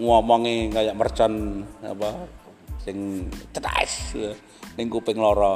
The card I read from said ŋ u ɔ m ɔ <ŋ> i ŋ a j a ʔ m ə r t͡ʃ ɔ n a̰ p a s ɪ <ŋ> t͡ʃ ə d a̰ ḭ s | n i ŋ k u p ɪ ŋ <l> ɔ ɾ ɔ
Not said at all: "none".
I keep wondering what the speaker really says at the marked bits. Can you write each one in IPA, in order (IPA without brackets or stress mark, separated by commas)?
ŋ, ŋ, l